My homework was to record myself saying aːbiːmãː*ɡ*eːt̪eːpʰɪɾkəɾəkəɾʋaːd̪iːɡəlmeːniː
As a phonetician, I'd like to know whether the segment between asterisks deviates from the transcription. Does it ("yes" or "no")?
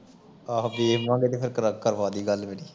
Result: no